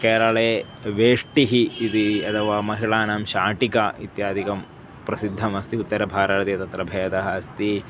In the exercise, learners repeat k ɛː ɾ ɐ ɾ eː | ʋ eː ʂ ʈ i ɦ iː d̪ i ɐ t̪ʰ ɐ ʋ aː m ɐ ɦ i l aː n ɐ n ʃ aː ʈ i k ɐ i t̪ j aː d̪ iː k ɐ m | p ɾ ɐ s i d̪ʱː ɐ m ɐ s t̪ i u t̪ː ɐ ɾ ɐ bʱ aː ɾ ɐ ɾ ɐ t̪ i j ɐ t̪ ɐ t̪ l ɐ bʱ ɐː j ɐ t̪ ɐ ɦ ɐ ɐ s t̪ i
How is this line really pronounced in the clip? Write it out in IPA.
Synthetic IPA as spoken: k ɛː ɾ ɐ ɭ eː | ʋ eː ʂ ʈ i ɦ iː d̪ i ɐ t̪ʰ ɐ ʋ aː m ɐ ɦ i ɭ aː n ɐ m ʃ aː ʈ i k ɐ i t̪ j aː d̪ i k ɐ m | p ɾ ɐ s i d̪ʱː ɐ m ɐ s t̪ i u t̪ː ɐ ɾ ɐ bʱ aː ɾ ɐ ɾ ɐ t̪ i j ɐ t̪ ɐ t̪ ɾ ɐ bʱ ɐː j ɐ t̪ ɐ ɦ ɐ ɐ s t̪ i